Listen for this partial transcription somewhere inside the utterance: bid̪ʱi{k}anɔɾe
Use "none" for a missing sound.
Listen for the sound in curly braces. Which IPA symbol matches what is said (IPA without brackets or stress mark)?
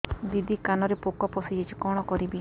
k